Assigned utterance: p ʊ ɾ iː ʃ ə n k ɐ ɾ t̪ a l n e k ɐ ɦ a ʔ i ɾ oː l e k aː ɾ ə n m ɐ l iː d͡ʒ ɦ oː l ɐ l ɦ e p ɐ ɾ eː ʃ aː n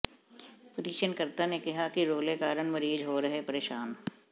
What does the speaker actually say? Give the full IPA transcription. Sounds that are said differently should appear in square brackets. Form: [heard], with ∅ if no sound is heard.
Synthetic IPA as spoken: p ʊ ɾ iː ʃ ə n k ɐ ɾ t̪ a [∅] n e k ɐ ɦ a [k] i ɾ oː l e k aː ɾ ə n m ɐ [ɾ] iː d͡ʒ ɦ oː [ɾ] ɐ [∅] ɦ e p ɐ ɾ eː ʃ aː n